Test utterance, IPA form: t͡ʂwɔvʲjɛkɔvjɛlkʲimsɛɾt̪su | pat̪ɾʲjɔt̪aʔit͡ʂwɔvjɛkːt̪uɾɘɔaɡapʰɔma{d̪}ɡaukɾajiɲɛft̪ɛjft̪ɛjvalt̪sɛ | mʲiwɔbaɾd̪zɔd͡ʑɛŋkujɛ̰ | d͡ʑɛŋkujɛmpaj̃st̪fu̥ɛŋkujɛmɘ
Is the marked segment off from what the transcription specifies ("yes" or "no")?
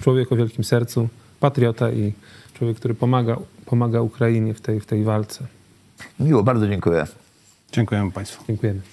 yes